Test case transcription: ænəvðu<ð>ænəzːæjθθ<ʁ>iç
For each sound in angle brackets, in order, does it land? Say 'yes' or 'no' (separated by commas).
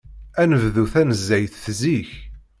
no, no